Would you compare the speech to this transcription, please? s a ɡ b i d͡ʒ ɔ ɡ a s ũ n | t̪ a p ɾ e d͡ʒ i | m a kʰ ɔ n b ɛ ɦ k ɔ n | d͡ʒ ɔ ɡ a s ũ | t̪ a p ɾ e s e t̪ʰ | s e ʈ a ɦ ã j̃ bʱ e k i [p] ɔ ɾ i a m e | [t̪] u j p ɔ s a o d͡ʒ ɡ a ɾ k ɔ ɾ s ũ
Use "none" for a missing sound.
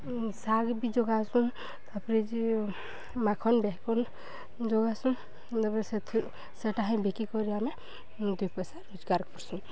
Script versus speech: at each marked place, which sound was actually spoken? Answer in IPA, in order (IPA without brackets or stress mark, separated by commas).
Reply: k, d̪